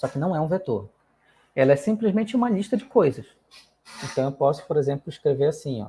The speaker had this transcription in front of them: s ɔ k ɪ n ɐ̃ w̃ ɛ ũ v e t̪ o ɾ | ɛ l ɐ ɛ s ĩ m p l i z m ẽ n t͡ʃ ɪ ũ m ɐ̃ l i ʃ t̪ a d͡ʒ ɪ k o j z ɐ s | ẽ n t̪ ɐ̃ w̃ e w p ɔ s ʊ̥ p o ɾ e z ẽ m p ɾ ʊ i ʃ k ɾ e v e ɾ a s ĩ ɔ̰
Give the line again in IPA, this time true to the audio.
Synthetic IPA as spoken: s ɔ k ɪ n ɐ̃ w̃ ɛ ũ v e t̪ o ɾ | ɛ l ɐ ɛ s ĩ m p l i z m ẽ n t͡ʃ ɪ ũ m ɐ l i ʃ t̪ ɐ d͡ʒ ɪ k o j z ɐ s | ẽ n t̪ ɐ̃ w̃ e w p ɔ s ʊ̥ p o ɾ e z ẽ m p l ʊ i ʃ k ɾ e v e ɾ a s ĩ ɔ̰